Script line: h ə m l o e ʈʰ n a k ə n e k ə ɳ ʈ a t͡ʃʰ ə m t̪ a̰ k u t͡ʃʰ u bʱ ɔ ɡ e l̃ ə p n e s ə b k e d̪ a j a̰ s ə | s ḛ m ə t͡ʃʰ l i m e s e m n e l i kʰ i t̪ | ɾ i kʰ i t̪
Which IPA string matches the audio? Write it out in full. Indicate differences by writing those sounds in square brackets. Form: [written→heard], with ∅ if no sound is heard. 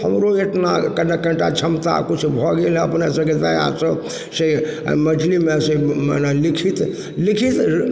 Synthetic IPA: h ə m [l→ɾ] o e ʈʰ n a k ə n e k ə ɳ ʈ a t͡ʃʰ ə m t̪ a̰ k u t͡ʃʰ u bʱ ɔ ɡ e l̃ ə p n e s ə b k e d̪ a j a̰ s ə | s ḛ m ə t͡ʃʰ l i m e s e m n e l i kʰ i t̪ | [ɾ→l] i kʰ i t̪